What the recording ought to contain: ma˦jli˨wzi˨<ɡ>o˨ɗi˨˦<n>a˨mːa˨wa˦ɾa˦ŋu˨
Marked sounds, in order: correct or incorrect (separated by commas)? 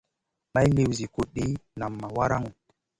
incorrect, correct